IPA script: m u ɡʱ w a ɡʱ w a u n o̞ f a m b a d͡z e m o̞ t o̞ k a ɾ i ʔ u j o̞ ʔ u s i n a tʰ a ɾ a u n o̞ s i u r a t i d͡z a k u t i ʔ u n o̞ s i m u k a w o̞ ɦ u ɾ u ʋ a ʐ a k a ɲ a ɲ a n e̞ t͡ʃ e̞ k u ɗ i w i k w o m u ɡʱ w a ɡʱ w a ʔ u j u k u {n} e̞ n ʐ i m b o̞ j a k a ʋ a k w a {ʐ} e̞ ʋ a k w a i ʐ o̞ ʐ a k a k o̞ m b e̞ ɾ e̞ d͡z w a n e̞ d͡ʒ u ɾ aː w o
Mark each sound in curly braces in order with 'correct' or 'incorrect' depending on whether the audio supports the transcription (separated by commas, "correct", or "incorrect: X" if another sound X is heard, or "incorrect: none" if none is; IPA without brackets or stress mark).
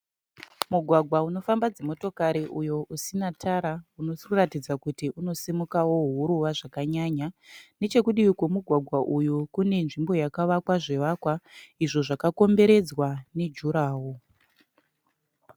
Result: correct, correct